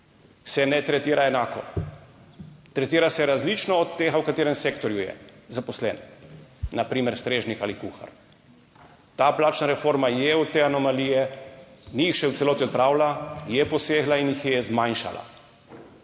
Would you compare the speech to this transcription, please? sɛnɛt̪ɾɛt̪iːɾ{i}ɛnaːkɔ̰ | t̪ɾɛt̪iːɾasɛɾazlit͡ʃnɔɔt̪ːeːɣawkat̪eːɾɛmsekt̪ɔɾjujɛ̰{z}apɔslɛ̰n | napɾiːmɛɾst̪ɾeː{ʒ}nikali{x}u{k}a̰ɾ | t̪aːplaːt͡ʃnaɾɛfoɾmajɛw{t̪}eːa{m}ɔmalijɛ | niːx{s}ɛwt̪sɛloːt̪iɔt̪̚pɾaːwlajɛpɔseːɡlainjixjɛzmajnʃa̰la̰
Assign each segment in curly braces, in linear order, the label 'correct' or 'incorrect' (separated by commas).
incorrect, correct, correct, incorrect, incorrect, correct, incorrect, incorrect